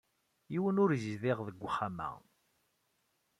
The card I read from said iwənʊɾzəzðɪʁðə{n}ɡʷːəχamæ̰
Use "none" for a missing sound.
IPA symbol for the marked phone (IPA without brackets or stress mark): none